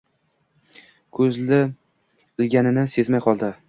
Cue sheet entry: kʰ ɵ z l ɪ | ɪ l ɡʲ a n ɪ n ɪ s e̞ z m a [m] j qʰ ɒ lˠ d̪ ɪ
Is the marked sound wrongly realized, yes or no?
yes